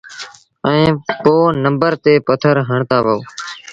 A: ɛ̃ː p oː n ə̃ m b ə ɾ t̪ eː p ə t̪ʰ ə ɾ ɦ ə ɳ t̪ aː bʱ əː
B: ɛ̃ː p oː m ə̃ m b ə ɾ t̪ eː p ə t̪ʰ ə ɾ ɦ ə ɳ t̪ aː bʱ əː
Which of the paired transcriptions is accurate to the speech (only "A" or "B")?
A